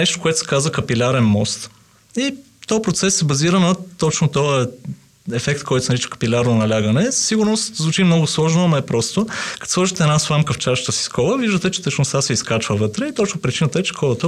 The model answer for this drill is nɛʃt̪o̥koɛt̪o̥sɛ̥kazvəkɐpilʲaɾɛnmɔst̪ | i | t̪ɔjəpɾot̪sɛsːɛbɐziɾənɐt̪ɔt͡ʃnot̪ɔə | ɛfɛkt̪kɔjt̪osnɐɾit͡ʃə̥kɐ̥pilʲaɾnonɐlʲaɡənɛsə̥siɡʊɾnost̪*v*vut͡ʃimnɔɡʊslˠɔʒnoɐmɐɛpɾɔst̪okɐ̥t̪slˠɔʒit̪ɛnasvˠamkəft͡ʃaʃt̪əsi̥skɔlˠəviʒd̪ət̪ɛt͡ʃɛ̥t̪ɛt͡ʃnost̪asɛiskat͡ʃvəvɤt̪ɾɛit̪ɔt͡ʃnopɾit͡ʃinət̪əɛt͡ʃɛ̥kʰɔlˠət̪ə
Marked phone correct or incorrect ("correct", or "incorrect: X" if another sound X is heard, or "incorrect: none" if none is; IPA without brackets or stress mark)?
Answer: incorrect: z